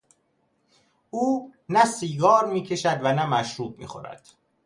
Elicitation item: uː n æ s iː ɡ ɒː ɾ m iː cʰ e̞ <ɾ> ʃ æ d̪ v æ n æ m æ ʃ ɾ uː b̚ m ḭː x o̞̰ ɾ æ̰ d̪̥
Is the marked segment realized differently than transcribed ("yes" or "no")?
yes